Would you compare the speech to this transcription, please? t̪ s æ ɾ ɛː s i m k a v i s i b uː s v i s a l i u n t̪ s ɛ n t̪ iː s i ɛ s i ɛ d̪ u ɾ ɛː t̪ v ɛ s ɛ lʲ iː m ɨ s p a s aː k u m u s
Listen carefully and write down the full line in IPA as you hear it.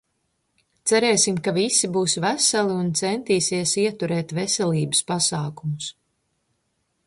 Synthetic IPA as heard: t̪ s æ ɾ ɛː s i m k a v i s i b uː s v æ s a l i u n t̪ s ɛ n t̪ iː s i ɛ s i ɛ t̪ u ɾ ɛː t̪ v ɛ s ɛ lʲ iː b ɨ s p a s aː k u m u s

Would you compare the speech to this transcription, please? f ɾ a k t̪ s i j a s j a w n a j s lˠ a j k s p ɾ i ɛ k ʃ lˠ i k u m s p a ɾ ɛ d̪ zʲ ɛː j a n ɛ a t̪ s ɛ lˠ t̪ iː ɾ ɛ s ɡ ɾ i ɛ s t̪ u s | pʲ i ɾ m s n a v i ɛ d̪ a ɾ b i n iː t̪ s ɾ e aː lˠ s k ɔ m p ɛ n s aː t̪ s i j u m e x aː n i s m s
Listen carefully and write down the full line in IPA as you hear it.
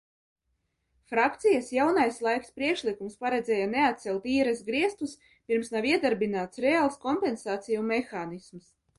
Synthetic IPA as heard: f ɾ a k t̪ s i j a s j a w n a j s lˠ a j k s p ɾ i ɛ k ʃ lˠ i k u m s p a ɾ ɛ d̪ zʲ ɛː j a n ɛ a t̪ s ɛ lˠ t̪ iː ɾ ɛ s ɡ ɾ i ɛ s t̪ u s | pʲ i ɾ m s n a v i ɛ d̪ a ɾ b i n aː t̪ s ɾ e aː lˠ s k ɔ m p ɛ n s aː t̪ s i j u m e x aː n i s m s

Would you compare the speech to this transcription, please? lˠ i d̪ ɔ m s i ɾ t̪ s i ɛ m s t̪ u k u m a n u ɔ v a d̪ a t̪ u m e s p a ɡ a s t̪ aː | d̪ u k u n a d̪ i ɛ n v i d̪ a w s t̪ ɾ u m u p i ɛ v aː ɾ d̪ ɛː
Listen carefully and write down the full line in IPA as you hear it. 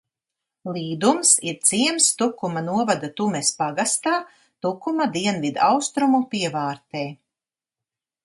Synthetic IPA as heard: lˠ iː d̪ u m s i ɾ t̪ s i ɛ m s t̪ u k u m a n u ɔ v a d̪ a t̪ u m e s p a ɡ a s t̪ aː | t̪ u k u m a d̪ i ɛ n v i d̪ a w s t̪ ɾ u m u p i ɛ v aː ɾ t̪ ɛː

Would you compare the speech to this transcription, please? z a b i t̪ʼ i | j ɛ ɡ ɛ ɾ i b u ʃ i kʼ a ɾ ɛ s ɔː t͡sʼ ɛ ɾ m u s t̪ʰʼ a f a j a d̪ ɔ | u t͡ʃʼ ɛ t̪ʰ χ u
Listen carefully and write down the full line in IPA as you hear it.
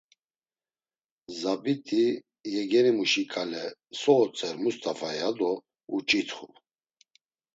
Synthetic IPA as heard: z a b i t̪ʼ i | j ɛ ɡ ɛ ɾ i m u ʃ i kʼ a l ɛ s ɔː t͡sʼ ɛ ɾ m u s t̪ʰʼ a f a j a d̪ ɔ | u t͡ʃʼ i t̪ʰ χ u

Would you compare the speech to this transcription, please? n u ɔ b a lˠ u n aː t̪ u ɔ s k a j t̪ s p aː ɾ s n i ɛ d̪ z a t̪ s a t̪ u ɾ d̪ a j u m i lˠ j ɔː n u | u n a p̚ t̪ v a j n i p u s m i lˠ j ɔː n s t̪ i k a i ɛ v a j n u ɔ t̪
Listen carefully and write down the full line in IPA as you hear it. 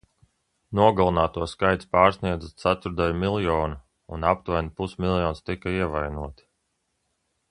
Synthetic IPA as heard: n u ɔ ɡ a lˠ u n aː t̪ u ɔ s k a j t̪ s p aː ɾ s n i ɛ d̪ z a t̪ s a t̪ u ɾ d̪ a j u m i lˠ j ɔː n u | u n a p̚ t̪ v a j n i p u s m i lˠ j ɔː n s t̪ i k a i ɛ v a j n u ɔ t̪

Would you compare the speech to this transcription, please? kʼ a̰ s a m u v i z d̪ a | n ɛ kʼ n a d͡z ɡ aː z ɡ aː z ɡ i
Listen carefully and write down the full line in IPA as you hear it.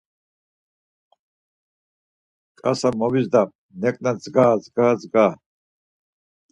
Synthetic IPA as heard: kʼ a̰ s a m ɔ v i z d̪ a | n ɛ kʼ n a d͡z ɡ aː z ɡ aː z ɡ a

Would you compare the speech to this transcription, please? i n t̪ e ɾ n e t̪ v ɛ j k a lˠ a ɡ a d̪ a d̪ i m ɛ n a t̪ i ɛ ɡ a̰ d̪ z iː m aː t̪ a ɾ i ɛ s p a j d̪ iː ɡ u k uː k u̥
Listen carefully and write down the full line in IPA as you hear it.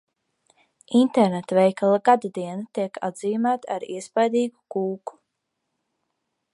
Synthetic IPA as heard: i n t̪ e ɾ n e t̪ v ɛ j k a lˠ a ɡ a d̪ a d̪ i ɛ n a t̪ i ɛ k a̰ d̪ z iː m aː t̪ a ɾ i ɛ s p a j d̪ iː ɡ u k uː k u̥

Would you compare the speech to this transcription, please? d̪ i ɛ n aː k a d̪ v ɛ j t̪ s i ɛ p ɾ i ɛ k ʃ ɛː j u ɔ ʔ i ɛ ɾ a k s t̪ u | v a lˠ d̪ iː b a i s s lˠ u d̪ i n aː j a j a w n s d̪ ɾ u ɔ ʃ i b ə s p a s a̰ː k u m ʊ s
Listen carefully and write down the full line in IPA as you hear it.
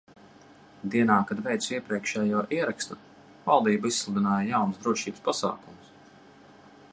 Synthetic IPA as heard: d̪ i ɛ n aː k a d̪ v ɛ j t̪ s i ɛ p ɾ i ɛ k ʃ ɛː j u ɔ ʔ i ɛ ɾ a k s t̪ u | v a lˠ d̪ iː b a i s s lˠ u d̪ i n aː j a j a w n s d̪ ɾ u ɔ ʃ iː b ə s p a s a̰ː k u m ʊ s

